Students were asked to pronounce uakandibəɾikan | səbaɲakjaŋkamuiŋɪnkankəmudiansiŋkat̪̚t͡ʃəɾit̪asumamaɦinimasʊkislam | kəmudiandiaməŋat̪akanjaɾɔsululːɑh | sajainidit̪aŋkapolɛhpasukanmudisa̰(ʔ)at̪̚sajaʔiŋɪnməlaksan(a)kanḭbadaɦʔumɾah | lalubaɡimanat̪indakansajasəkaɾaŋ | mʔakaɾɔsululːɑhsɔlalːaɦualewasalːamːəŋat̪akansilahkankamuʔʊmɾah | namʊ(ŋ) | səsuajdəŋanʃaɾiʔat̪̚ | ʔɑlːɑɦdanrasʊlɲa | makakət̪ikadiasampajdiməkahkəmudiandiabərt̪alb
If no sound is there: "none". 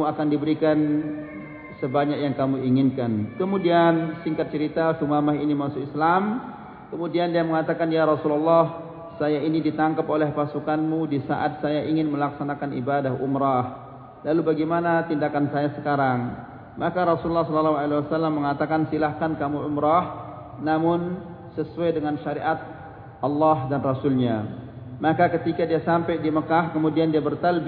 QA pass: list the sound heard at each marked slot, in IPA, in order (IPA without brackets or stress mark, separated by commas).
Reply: ʔ, a, n